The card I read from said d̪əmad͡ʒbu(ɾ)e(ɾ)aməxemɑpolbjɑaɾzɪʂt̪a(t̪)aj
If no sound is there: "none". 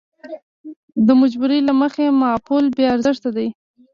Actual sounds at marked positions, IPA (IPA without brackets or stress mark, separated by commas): ɾ, l, d̪